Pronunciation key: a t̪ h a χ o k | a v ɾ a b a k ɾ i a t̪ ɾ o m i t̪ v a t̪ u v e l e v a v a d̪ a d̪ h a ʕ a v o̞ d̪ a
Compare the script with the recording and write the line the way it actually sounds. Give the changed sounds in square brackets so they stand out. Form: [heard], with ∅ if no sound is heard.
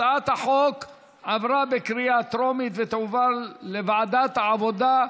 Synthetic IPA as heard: a t̪ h a [ħ] o k | a v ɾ a b [e] k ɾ i a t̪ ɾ o m i t̪ v [e] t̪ u v [a] l e v a [ʕ] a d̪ a [t̪] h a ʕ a v o̞ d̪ a